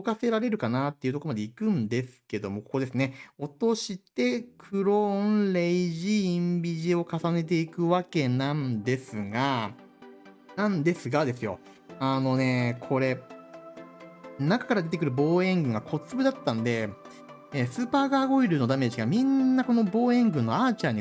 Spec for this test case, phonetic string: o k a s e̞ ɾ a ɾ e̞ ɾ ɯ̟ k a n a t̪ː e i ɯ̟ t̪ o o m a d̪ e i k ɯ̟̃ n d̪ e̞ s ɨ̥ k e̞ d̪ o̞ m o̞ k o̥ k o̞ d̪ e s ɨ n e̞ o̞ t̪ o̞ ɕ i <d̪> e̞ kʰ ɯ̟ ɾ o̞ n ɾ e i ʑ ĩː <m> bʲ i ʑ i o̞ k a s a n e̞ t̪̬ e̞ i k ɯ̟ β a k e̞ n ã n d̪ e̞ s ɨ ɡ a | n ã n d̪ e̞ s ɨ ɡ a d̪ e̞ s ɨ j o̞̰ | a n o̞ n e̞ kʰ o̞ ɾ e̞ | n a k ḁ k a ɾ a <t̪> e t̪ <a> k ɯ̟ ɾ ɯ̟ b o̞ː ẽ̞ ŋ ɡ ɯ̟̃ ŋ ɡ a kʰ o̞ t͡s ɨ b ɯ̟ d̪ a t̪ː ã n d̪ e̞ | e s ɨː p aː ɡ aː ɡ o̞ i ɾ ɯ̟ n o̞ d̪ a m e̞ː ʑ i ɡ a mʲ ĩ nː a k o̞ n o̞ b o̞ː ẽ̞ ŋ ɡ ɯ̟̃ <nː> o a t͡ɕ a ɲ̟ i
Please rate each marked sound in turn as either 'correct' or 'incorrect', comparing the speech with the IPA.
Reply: incorrect: t̪, correct, incorrect: d̪, incorrect: e, correct

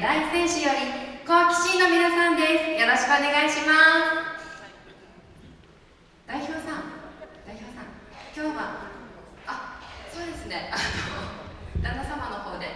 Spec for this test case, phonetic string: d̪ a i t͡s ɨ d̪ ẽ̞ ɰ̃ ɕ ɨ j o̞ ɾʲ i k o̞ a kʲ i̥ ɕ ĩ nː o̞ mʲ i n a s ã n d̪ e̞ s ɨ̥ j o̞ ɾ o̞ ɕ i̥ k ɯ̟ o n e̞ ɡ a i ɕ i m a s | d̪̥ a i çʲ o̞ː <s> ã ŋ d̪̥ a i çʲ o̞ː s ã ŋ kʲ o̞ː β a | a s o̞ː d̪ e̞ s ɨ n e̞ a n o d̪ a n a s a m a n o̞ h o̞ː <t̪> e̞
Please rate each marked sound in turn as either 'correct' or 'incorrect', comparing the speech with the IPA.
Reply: correct, incorrect: d̪

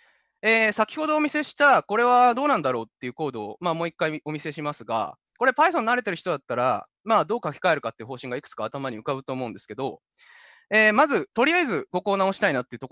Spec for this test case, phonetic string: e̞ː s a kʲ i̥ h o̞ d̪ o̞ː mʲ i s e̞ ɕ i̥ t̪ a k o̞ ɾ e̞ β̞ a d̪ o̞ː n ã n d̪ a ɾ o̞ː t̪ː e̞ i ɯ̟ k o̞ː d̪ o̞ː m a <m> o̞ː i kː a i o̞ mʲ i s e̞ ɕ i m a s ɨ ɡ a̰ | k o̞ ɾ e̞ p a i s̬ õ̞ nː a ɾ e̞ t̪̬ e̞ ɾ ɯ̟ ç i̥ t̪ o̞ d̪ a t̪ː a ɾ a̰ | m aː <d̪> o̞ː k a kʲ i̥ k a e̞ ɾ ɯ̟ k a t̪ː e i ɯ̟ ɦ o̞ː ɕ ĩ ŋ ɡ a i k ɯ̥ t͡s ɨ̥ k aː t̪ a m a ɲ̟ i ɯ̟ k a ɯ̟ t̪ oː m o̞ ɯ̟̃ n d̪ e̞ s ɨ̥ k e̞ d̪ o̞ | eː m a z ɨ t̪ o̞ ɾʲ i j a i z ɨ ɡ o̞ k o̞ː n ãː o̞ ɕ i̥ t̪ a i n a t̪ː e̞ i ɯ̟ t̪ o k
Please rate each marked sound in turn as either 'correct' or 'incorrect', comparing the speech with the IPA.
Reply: correct, correct

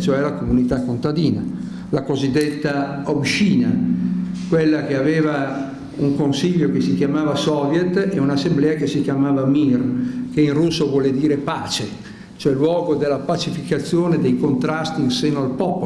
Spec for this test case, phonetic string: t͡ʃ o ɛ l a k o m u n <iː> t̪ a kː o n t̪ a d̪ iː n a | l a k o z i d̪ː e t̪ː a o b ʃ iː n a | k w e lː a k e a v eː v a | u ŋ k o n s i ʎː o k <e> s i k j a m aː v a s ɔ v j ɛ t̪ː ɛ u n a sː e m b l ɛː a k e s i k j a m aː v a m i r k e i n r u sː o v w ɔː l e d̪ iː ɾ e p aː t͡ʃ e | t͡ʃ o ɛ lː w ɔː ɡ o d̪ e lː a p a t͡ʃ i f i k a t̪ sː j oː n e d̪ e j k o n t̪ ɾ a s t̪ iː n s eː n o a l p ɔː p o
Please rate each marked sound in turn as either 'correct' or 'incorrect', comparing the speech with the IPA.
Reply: incorrect: i, correct

